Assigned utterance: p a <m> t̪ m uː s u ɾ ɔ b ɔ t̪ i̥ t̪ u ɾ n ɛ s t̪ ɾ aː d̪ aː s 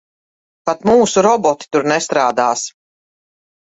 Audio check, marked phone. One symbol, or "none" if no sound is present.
none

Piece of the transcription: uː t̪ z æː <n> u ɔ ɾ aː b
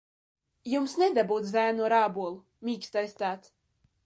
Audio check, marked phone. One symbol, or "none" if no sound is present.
n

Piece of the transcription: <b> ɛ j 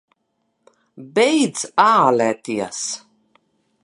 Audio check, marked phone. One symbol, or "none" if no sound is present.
b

